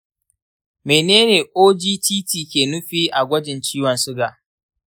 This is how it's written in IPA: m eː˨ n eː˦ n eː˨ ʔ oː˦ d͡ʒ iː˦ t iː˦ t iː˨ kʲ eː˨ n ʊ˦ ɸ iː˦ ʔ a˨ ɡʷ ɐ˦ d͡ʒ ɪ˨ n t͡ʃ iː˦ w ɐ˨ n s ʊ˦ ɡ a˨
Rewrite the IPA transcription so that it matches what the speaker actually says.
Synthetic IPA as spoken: m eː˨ n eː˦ n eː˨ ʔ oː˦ d͡ʒ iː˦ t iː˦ t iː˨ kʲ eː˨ n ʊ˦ ɸ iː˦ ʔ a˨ ɡʷ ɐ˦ d͡ʒ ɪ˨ n t͡ʃ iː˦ w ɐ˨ n s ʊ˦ ɡ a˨